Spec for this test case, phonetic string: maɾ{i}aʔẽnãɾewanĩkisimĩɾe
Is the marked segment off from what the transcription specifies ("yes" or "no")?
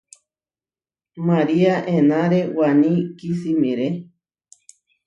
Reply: no